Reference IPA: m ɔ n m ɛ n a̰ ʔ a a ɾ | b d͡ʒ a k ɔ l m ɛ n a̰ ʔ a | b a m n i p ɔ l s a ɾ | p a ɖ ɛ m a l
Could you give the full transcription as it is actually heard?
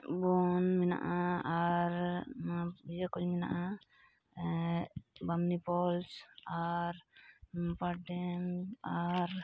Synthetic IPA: b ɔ n m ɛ n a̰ ʔ a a ɾ | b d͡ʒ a k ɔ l m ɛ n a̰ ʔ a | b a m n i p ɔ l s a ɾ | p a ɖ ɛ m a ɾ